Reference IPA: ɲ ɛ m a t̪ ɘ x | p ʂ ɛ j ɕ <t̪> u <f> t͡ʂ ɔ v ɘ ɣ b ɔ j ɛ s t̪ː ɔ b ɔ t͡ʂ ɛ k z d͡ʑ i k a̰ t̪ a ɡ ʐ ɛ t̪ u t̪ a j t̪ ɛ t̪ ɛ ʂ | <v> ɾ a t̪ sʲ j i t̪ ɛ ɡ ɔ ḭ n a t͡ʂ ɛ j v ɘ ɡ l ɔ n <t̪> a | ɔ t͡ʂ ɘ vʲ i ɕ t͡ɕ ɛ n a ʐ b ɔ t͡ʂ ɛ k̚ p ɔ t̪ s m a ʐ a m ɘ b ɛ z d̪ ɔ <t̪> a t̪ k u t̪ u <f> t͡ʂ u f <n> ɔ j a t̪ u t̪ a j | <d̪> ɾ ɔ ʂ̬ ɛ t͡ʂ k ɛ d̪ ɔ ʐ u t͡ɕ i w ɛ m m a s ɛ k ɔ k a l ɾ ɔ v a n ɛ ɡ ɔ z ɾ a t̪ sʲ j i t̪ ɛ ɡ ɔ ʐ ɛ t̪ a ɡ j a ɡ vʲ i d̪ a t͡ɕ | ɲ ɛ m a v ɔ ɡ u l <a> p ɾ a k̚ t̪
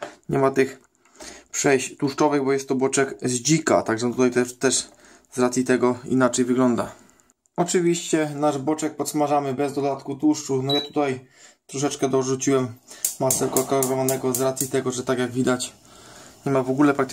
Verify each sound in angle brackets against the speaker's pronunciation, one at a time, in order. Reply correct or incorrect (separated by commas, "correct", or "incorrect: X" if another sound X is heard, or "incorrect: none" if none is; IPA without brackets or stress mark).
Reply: correct, incorrect: ʂ, incorrect: z, incorrect: d̪, incorrect: d̪, incorrect: ʂ, correct, incorrect: t̪, incorrect: ɛ